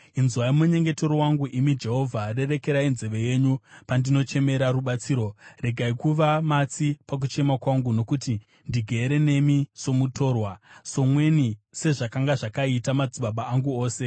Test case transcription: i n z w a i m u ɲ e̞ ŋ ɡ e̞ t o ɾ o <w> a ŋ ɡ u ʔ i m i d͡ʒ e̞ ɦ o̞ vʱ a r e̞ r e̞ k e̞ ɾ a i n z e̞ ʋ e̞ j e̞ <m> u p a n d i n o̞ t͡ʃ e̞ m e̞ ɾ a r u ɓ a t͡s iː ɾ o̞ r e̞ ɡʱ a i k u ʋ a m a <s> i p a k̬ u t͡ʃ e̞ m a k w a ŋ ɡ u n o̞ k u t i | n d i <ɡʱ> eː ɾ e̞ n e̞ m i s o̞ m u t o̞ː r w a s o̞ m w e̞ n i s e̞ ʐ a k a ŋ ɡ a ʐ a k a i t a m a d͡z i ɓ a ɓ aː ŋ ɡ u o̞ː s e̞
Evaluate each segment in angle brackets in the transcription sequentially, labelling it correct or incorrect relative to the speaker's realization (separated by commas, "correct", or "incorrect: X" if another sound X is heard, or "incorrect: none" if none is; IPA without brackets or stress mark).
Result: correct, incorrect: ɲ, incorrect: t͡s, correct